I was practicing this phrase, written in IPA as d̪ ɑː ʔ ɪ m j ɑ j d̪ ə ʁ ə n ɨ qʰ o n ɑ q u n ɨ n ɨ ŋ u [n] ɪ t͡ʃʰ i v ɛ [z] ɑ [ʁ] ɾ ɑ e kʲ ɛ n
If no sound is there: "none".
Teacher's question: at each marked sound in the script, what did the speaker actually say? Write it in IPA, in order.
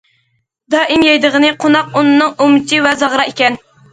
m, z, ʁ

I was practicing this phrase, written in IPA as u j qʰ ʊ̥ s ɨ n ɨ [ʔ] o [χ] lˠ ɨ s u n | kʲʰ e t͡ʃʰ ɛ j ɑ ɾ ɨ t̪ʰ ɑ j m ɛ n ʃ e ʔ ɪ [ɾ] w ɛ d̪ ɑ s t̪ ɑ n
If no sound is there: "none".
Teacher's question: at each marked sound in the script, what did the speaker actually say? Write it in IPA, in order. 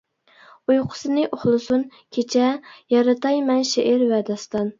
ʔ, χ, ɾ

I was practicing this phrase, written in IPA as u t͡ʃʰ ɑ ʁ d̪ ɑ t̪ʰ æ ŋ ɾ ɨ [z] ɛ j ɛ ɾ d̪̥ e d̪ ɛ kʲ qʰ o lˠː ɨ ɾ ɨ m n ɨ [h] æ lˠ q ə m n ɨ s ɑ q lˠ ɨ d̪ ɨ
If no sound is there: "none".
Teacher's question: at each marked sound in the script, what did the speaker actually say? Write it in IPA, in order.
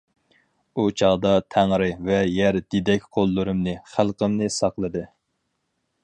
v, χ

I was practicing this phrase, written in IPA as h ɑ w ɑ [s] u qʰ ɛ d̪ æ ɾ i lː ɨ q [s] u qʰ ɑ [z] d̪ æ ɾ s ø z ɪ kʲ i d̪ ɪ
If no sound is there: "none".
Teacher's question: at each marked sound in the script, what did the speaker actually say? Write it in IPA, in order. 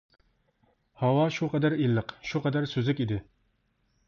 ʃ, ʃ, none

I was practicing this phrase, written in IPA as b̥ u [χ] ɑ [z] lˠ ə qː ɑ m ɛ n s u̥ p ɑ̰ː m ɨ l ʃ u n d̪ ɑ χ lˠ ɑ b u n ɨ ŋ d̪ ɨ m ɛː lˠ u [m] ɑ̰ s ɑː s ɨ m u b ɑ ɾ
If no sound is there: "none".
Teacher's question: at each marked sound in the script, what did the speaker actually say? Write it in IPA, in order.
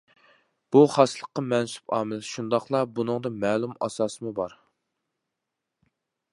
χ, s, m

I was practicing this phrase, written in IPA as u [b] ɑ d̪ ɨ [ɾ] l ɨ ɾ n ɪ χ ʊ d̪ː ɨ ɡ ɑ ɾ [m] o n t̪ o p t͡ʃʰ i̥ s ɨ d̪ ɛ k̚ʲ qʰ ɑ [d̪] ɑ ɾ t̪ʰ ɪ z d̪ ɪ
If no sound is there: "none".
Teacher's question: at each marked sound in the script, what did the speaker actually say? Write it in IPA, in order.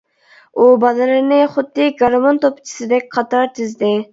b, none, m, t̪

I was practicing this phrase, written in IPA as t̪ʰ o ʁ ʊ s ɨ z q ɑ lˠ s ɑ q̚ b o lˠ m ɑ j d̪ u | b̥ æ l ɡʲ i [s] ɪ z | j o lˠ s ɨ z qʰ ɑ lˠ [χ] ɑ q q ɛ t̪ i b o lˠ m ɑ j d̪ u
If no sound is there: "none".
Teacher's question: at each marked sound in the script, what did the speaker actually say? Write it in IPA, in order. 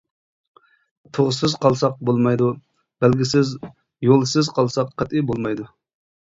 s, s

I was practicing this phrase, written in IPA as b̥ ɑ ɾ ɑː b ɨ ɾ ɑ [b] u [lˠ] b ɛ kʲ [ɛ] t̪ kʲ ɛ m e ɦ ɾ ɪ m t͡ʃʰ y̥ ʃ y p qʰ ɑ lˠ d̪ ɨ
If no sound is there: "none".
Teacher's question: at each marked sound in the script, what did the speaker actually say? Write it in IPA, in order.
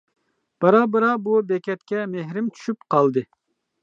b, none, ɛ

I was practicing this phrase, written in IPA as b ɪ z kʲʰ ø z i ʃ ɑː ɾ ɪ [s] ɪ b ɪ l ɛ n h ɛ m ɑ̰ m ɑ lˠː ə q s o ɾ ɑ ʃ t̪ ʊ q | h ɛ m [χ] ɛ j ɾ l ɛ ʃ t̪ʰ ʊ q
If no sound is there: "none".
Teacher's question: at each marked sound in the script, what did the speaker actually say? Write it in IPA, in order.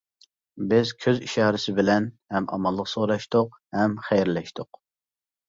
s, χ

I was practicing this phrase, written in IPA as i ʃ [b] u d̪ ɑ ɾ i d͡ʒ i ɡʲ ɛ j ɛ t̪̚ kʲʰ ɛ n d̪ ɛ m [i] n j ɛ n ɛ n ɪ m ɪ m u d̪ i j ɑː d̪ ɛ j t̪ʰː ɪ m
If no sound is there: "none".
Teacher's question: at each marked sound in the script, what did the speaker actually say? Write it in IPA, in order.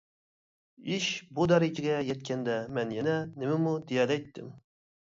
b, ɛ

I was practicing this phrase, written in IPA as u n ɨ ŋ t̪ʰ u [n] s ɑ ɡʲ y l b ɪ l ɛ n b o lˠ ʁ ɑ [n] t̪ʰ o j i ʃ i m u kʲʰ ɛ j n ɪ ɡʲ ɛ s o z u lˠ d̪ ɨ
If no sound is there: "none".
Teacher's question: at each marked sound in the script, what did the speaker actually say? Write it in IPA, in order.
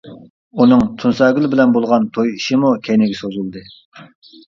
n, n

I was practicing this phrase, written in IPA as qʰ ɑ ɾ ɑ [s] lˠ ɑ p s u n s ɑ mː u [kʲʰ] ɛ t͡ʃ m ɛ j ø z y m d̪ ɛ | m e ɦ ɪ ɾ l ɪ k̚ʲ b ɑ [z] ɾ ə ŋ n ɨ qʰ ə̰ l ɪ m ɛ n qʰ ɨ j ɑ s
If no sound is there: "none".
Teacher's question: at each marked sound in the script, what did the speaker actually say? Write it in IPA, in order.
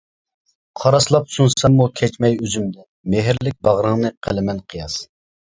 s, kʲʰ, ʁ

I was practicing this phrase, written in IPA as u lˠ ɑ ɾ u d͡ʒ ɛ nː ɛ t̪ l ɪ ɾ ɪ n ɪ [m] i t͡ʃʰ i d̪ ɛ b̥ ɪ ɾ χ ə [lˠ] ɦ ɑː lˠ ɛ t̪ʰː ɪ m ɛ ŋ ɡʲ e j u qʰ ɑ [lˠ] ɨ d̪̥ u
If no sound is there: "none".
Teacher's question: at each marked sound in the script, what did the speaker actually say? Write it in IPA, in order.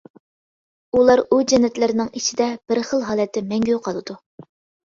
ŋ, lˠ, lˠ

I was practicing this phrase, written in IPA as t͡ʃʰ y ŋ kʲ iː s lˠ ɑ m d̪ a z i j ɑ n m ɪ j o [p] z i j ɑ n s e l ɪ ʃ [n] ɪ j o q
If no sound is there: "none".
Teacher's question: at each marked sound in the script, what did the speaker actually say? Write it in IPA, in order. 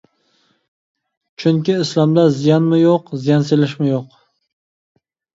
q, m

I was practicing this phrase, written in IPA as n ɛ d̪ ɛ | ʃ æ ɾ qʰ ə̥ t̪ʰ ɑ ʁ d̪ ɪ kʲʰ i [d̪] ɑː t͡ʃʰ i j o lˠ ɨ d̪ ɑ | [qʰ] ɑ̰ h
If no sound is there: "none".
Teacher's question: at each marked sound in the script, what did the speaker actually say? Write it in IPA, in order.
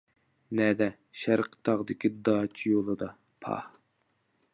d̪, pʰ

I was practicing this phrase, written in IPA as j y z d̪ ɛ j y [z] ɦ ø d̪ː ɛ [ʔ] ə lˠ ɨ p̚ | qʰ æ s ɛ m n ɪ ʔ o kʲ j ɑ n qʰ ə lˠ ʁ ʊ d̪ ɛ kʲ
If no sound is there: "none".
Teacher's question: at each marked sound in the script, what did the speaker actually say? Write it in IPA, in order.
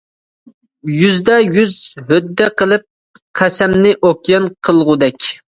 z, q

